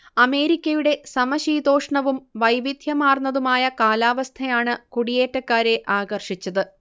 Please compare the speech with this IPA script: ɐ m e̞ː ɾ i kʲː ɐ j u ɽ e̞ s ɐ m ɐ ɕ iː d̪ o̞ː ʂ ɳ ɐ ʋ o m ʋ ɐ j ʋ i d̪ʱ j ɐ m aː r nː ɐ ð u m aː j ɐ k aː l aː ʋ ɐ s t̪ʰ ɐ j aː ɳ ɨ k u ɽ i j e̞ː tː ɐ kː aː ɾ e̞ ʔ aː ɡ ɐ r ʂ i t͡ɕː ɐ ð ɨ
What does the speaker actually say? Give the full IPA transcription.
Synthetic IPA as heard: ɐ m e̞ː ɾ i kʲː ɐ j u ɽ e̞ s ɐ m ɐ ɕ iː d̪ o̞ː ʂ ɳ ɐ ʋ u m ʋ ɐ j ʋ i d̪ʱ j ɐ m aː r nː ɐ ð u m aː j ɐ k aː l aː ʋ ɐ s t̪ʰ ɐ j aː ɳ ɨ k u ɽ i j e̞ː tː ɐ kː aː ɾ e̞ ʔ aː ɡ ɐ r ʂ i t͡ɕː ɐ ð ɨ